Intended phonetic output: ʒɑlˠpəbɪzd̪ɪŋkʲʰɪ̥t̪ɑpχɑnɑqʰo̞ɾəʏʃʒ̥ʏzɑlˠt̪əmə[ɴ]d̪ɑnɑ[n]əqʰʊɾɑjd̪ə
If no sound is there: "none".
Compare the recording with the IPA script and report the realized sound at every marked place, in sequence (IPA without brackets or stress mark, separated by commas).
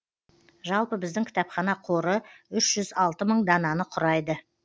ɴ, n